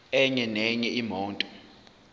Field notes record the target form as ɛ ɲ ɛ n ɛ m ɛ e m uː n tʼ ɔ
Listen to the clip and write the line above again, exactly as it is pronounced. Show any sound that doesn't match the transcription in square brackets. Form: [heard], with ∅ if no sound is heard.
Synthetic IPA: ɛ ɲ ɛ n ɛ [ɲ] ɛ [i] m [ɔː] n tʼ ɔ